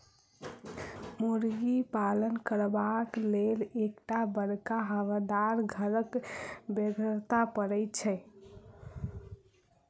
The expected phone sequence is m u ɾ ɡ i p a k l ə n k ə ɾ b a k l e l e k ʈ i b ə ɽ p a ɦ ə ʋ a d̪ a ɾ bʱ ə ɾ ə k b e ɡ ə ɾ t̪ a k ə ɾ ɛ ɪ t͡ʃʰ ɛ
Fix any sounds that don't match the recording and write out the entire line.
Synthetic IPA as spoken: m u ɾ ɡ i p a l ə n k ə ɾ b a k l e l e k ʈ a b ə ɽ k a ɦ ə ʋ a d̪ a ɾ ɡʱ ə ɾ ə k b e ɡ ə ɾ t̪ a p ə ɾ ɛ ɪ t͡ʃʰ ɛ